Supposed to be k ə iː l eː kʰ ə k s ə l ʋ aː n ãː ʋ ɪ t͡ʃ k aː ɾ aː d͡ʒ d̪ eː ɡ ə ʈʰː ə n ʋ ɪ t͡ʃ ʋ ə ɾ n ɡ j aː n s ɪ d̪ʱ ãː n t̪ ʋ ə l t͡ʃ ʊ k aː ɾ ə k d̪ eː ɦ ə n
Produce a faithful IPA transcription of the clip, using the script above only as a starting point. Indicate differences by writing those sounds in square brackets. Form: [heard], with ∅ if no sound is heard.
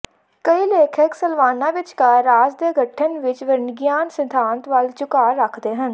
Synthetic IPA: k ə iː l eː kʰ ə k s ə l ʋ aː n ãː ʋ ɪ t͡ʃ k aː ɾ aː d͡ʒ d̪ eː ɡ ə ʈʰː ə n ʋ ɪ t͡ʃ ʋ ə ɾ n ɡ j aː n s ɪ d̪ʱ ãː n t̪ ʋ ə l t͡ʃ ʊ k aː ɾ ə [kʰ] d̪ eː ɦ ə n